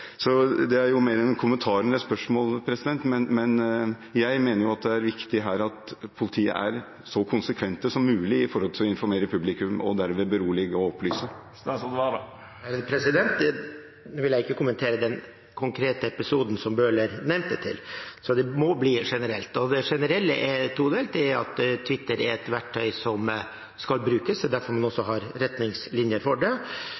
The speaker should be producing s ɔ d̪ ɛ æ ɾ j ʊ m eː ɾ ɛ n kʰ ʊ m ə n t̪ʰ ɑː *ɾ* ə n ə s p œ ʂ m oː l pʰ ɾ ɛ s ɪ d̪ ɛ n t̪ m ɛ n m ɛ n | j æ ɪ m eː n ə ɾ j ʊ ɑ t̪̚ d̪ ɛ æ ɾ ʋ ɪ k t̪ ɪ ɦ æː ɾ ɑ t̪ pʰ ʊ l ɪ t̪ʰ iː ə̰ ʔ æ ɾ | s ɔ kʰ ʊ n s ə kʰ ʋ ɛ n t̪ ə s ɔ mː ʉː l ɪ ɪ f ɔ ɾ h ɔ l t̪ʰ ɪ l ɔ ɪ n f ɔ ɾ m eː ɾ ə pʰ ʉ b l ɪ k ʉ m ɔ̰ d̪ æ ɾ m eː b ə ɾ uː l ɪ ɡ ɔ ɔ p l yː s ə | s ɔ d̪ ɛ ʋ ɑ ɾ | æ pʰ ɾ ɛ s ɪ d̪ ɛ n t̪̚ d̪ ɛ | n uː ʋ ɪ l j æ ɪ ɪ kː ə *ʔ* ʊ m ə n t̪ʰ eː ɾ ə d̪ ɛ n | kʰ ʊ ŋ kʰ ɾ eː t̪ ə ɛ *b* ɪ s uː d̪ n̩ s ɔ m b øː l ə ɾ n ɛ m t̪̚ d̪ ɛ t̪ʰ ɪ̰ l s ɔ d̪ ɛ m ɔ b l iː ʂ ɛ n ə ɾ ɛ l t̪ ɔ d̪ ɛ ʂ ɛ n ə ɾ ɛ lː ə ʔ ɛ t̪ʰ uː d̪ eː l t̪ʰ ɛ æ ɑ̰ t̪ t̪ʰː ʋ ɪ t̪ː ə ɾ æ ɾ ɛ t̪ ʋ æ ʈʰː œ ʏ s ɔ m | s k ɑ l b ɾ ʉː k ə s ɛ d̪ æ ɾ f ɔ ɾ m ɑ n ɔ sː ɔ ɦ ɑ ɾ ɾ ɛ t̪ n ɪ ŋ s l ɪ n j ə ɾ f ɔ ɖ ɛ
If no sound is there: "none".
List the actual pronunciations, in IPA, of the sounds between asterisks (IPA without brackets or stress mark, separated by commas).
ɾ, k, p